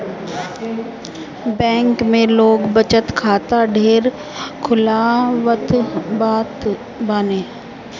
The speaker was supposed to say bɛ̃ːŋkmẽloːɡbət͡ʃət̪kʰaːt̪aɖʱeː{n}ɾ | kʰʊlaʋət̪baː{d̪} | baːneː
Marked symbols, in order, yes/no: no, no

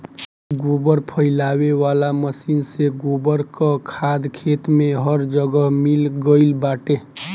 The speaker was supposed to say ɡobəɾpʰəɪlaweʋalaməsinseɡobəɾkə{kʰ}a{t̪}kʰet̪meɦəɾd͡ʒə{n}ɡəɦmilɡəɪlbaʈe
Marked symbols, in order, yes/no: yes, no, no

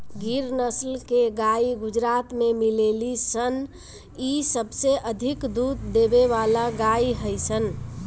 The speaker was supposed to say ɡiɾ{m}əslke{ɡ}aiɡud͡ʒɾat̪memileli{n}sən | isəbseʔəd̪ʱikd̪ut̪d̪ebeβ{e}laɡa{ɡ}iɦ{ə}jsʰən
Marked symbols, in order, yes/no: no, yes, no, no, no, yes

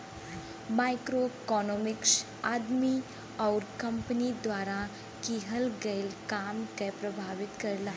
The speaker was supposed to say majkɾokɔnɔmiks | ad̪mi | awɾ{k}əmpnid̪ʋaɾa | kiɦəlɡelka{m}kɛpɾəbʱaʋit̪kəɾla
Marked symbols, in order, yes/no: yes, yes

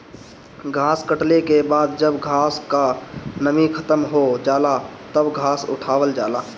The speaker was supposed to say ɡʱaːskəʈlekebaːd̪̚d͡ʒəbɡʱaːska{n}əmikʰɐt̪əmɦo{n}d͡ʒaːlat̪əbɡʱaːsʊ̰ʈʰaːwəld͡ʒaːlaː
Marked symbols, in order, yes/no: yes, no

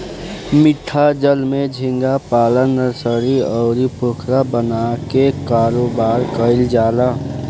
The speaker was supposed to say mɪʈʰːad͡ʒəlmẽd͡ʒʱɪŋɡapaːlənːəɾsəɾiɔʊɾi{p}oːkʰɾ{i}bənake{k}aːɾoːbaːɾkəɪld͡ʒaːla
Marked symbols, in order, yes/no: yes, no, yes

